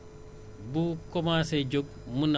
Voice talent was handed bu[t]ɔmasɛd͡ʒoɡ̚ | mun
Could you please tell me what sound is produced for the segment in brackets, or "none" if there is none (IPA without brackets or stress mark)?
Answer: k